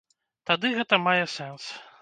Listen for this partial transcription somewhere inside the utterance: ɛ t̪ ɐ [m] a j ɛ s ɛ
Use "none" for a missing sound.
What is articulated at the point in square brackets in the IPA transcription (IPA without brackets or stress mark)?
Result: m